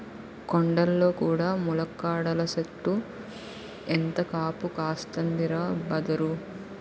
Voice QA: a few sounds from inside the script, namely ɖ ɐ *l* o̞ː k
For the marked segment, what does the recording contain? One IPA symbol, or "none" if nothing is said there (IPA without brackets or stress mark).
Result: lː